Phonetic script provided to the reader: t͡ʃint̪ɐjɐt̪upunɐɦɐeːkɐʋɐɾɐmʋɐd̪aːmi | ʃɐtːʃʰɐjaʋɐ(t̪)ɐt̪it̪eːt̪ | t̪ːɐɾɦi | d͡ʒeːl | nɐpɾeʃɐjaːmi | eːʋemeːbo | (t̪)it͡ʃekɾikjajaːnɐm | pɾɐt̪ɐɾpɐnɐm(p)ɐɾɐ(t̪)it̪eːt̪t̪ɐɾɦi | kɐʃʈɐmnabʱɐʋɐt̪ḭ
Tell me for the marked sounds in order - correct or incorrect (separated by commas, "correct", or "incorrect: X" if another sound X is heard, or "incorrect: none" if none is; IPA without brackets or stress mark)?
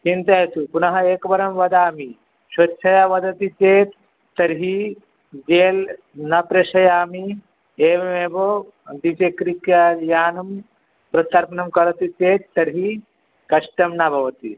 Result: incorrect: d̪, incorrect: d̪, incorrect: k, correct